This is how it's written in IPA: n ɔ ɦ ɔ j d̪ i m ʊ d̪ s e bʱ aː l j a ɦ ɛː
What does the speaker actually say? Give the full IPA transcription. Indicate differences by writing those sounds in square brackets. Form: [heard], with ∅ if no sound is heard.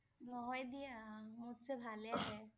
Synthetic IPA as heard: n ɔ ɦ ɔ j d̪ i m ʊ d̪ s e bʱ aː l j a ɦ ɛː